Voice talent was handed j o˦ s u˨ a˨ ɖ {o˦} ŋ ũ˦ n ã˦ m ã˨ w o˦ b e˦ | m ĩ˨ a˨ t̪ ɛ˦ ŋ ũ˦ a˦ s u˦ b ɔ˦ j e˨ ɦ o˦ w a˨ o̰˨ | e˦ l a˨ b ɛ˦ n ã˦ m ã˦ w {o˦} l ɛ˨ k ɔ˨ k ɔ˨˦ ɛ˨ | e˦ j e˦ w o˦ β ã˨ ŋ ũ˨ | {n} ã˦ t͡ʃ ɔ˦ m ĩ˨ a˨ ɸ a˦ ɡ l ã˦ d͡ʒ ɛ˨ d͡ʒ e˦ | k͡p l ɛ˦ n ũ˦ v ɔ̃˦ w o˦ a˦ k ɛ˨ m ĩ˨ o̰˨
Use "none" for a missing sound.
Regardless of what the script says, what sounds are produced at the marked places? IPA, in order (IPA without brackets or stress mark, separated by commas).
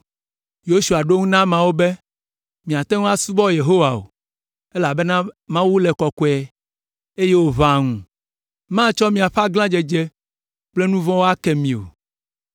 o˦, u˦, m